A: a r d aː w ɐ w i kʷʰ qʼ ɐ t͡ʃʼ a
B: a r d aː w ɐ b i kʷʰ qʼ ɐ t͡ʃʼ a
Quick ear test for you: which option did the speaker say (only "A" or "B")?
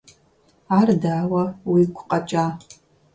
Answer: A